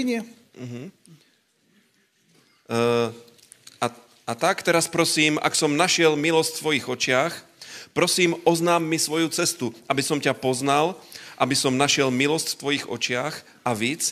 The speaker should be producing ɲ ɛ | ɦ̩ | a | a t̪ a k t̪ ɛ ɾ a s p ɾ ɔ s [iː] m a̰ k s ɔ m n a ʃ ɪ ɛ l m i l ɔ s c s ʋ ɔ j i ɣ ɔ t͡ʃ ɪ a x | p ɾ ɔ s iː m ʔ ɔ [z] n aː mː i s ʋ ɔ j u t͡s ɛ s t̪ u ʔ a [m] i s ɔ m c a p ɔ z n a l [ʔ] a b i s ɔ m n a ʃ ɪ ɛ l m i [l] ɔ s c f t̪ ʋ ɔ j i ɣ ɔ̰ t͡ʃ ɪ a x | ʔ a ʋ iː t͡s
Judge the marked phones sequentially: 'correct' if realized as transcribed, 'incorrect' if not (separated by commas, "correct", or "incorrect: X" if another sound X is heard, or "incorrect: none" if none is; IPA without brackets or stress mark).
correct, correct, incorrect: b, correct, correct